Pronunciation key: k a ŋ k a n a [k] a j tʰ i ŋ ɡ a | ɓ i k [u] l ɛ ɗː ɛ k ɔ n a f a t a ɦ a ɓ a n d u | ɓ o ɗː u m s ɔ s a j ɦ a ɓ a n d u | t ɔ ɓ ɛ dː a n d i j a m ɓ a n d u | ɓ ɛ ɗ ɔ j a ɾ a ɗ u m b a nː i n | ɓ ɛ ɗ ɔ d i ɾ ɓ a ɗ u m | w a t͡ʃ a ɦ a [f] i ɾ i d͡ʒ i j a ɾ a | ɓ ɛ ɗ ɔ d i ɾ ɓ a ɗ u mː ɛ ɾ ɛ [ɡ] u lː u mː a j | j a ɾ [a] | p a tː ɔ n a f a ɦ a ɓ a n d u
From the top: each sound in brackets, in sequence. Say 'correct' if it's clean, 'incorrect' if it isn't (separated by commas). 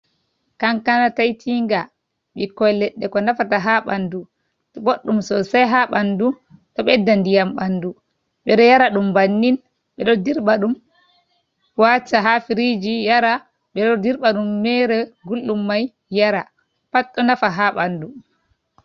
incorrect, incorrect, correct, correct, correct